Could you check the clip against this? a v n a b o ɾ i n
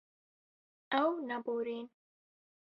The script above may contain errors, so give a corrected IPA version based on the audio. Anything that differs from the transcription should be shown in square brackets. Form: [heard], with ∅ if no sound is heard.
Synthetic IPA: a [w] n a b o ɾ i n